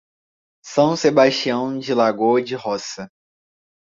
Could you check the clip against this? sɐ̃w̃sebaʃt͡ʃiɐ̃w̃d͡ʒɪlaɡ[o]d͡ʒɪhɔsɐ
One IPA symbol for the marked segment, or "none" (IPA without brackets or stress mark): o